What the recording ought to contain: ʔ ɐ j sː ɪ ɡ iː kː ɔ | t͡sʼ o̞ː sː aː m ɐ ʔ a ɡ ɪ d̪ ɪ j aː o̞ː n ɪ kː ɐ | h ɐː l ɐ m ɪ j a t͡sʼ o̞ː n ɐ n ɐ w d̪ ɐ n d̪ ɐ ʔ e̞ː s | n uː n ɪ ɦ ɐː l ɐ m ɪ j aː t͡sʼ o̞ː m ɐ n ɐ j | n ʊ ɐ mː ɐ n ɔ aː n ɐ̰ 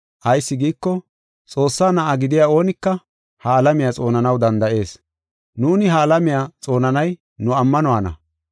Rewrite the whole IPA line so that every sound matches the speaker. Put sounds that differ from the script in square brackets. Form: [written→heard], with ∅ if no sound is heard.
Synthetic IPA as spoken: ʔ ɐ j sː ɪ ɡ iː kː ɔ | t͡sʼ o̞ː sː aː [m→n] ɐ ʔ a ɡ ɪ d̪ ɪ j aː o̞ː n ɪ kː ɐ | h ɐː l ɐ m ɪ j a t͡sʼ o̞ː n ɐ n ɐ w d̪ ɐ n d̪ ɐ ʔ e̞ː s | n uː n ɪ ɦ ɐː l ɐ m ɪ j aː t͡sʼ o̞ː [m→n] ɐ n ɐ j | n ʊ ɐ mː ɐ n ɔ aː n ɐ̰